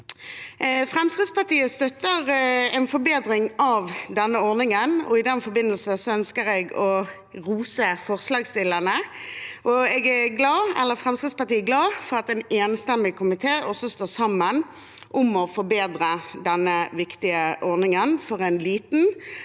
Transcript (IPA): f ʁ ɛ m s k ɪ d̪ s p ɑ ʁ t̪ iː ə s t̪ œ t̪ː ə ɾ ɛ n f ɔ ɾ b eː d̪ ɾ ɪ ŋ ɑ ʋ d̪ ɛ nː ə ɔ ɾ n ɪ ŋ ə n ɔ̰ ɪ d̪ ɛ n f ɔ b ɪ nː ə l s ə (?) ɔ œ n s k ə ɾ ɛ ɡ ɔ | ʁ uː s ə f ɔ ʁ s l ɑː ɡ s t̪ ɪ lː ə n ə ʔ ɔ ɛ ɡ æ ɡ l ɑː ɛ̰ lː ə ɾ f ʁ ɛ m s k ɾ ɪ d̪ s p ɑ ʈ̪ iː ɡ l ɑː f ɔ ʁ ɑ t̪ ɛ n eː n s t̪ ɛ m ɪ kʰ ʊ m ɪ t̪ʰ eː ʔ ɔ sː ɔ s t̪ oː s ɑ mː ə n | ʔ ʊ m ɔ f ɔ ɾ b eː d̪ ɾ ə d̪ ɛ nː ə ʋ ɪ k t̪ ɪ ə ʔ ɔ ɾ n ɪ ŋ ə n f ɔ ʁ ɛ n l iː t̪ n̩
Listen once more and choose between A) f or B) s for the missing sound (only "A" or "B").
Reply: B